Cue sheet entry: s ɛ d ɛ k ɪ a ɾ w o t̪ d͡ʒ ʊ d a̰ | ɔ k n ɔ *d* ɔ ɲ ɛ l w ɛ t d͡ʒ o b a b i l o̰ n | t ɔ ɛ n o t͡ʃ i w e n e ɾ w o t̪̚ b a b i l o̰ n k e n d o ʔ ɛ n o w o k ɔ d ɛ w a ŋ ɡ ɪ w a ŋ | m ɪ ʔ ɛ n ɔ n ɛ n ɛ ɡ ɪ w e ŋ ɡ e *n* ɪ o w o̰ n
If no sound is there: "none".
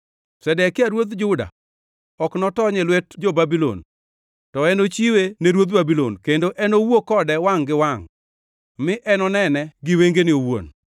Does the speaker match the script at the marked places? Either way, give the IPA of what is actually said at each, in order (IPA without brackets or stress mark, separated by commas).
t, n